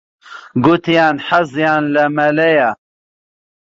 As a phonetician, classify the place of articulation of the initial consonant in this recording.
velar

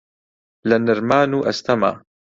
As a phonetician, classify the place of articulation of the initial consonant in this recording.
alveolar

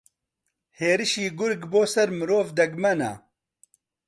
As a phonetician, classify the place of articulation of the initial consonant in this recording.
glottal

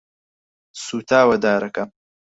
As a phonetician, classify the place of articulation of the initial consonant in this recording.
alveolar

